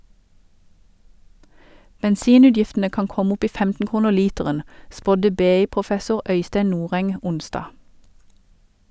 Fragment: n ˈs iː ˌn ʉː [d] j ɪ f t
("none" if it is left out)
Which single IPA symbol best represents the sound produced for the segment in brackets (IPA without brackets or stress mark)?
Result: d